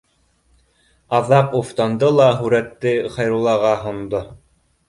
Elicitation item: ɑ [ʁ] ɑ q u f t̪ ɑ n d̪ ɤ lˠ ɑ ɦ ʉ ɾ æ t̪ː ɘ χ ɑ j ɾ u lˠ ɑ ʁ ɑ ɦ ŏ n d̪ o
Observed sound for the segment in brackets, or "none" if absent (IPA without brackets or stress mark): ð